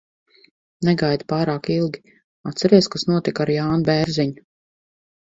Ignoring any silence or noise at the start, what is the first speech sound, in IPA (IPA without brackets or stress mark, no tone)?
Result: n